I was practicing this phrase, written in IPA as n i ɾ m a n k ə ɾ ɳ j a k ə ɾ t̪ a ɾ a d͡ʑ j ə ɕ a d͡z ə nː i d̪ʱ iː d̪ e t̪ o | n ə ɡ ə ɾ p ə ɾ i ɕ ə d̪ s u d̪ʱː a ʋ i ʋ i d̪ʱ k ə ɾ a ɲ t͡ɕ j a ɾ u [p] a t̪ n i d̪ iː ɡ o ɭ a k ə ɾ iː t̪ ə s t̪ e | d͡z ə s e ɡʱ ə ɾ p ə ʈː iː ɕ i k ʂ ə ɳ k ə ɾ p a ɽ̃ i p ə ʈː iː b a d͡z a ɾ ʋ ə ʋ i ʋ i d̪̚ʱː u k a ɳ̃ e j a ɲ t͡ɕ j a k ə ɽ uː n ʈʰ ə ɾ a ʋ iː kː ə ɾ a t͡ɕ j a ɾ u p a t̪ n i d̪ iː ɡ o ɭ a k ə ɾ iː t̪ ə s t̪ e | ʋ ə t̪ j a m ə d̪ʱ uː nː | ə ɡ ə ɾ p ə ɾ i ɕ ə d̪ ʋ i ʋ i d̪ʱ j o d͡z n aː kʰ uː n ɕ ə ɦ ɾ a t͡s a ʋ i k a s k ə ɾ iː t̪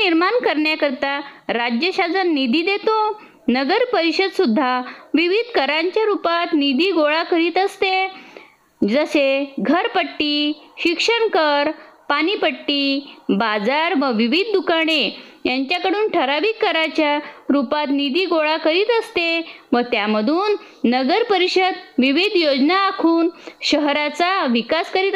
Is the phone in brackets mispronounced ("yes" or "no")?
no